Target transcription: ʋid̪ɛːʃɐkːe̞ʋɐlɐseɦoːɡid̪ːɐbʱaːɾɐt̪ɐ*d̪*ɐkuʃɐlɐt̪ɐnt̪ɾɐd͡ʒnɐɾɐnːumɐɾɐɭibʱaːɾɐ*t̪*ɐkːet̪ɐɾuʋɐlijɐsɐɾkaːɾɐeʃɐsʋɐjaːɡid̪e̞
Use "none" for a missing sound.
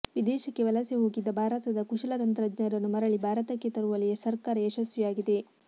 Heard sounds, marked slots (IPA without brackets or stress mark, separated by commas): d̪, t̪